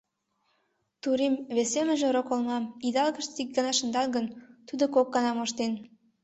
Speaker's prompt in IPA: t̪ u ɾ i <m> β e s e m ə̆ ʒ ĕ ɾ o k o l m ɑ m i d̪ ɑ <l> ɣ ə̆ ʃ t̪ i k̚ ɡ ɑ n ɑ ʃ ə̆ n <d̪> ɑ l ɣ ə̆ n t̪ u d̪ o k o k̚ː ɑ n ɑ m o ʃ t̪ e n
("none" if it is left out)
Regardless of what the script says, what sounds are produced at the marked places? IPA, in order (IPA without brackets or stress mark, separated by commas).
m, l, d̪